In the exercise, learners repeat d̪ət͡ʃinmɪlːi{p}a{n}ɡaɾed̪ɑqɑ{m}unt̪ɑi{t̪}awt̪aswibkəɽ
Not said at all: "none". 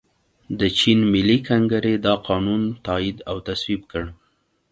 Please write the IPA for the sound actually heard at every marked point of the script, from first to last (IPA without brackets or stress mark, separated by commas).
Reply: k, ŋ, n, d̪